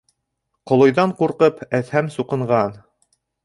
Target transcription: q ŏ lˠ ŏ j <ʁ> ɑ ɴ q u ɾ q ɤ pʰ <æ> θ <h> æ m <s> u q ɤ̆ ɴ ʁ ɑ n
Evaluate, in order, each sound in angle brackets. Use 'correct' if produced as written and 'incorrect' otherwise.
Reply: incorrect: ð, correct, correct, correct

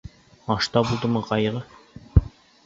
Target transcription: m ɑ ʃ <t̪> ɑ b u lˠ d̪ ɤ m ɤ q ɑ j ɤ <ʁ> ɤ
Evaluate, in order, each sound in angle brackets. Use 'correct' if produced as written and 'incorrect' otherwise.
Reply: correct, correct

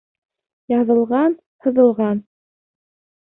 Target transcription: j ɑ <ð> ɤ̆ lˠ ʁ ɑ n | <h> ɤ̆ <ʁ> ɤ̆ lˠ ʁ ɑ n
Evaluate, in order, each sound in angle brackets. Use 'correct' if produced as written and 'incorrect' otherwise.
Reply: correct, correct, incorrect: ð

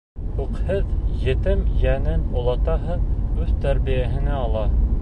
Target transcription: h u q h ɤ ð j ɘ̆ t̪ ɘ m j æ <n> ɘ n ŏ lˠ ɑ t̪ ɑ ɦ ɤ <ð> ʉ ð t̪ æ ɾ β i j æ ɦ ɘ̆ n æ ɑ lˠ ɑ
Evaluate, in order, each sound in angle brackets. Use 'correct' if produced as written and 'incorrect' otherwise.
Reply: correct, correct

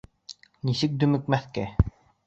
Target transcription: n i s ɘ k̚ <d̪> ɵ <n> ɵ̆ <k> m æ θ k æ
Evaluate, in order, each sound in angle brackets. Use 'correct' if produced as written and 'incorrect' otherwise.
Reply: correct, incorrect: m, correct

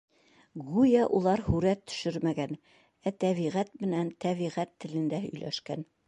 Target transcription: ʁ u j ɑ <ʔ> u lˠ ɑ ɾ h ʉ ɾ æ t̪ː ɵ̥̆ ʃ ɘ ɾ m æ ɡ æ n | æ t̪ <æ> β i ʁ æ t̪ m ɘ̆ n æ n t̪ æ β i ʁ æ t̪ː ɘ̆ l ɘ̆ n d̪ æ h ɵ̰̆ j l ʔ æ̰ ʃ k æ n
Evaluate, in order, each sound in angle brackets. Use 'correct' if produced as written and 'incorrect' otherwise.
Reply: correct, correct

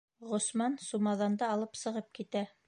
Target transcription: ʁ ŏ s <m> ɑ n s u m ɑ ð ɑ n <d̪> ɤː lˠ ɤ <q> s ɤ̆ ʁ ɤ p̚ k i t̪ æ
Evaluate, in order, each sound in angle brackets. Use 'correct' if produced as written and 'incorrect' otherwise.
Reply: correct, correct, incorrect: p

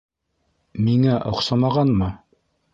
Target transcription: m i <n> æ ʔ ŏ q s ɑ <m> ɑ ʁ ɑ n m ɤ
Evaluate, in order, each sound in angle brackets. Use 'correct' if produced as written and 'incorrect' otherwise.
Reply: incorrect: ŋ, correct

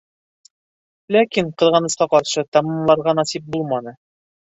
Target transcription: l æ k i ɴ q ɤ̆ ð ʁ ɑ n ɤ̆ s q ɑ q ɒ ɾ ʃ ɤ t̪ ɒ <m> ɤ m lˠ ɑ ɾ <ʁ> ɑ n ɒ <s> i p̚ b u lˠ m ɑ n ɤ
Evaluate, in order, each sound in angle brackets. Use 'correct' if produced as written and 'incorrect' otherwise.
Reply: correct, correct, correct

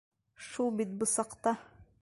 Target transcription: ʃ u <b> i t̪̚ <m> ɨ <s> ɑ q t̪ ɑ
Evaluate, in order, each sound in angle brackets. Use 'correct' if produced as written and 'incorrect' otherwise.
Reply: correct, incorrect: b, correct

